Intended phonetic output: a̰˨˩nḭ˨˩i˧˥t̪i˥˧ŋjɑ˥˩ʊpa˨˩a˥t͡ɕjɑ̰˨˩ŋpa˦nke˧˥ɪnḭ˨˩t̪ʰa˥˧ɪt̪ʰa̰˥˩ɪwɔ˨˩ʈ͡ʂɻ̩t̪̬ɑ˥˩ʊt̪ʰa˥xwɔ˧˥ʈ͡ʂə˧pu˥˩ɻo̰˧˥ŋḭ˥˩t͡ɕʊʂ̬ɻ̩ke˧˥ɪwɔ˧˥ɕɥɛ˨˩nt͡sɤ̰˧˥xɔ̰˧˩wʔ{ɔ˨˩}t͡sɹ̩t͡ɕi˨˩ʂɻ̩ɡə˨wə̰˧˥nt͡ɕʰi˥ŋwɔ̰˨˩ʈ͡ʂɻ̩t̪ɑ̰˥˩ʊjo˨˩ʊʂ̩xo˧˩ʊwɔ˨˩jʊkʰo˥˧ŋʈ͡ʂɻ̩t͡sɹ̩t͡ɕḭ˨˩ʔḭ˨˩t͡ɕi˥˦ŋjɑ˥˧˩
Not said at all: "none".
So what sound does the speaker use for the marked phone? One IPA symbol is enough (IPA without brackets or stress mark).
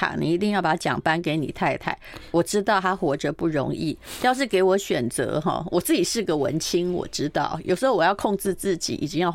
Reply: ɔ˨˩